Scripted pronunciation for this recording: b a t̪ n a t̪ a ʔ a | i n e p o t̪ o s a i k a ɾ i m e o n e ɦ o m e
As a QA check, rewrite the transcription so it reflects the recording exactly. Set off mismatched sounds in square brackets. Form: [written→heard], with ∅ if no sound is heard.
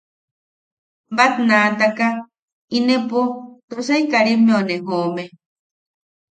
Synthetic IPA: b a t̪ n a t̪ a [ʔ→k] a | i n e p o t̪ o s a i k a ɾ i m e o n e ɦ o m e